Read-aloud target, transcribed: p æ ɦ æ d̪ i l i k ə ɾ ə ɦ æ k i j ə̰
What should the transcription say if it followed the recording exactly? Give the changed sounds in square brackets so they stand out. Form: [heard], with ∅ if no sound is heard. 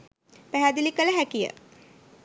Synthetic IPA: p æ ɦ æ d̪ i l i k ə [l] ə ɦ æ k i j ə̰